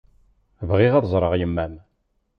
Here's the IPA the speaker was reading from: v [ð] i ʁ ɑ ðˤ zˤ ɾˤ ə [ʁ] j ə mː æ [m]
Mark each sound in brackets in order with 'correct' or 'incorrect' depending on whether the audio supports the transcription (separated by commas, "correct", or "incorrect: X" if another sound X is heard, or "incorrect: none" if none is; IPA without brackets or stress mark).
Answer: incorrect: ʁ, correct, correct